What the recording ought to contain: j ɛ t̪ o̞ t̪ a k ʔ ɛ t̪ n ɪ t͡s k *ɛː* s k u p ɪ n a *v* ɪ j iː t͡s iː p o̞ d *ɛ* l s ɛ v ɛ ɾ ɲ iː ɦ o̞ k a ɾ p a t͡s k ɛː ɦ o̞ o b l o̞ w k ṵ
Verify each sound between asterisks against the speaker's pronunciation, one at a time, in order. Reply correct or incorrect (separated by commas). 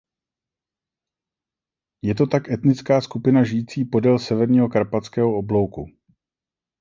incorrect, incorrect, correct